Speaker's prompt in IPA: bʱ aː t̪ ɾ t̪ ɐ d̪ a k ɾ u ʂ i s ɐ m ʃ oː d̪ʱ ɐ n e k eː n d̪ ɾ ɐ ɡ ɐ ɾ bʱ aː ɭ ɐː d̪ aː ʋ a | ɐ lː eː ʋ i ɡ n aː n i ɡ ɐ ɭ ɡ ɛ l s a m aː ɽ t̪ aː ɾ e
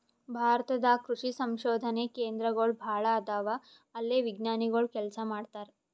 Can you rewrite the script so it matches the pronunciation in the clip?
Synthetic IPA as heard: bʱ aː ɾ t̪ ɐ d̪ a k ɾ u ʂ i s ɐ m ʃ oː d̪ʱ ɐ n e k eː n d̪ ɾ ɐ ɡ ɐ ɭ bʱ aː ɭ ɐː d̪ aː ʋ a | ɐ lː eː ʋ i ɡ n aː n i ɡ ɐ ɭ k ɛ l s a m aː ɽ t̪ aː ɾ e